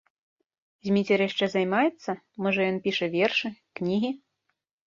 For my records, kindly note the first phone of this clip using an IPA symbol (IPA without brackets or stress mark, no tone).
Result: zʲ